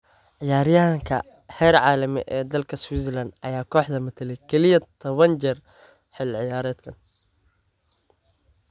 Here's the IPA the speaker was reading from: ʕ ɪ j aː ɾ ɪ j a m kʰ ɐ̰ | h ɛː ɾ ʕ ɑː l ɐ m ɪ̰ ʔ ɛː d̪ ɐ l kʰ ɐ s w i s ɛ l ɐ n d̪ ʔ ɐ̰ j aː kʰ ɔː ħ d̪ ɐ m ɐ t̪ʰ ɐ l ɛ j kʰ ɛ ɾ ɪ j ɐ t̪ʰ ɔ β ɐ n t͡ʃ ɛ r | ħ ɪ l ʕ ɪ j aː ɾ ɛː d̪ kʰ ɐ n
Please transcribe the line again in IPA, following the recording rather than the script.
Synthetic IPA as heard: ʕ ɪ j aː ɾ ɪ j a ŋ kʰ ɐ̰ | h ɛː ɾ ʕ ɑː l ɐ m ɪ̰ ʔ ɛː d̪ ɐ l kʰ ɐ s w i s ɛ l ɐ n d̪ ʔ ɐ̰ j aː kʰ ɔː ħ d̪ ɐ m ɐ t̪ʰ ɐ l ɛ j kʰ ɛ l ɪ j ɐ t̪ʰ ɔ β ɐ n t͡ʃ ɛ r | ħ ɪ l ʕ ɪ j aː ɾ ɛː d̪ kʰ ɐ n